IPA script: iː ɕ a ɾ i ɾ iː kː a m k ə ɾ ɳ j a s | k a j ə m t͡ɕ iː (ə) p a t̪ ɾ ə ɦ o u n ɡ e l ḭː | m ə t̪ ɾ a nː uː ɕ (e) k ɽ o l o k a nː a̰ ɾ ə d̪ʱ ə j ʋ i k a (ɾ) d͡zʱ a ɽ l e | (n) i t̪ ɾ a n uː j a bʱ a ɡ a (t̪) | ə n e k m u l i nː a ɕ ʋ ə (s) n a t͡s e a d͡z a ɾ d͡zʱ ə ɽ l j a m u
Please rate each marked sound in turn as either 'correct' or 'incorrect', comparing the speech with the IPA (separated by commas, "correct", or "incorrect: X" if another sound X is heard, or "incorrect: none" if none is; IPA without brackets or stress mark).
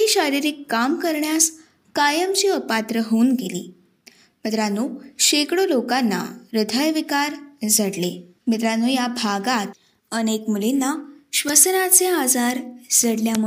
correct, correct, correct, incorrect: m, correct, correct